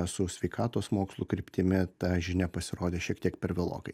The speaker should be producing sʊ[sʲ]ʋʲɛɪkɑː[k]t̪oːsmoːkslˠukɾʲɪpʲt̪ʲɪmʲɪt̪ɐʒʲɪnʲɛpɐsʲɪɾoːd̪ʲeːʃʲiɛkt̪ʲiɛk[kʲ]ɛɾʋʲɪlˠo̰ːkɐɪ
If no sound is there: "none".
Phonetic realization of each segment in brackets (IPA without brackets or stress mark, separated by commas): sʲ, none, pʲ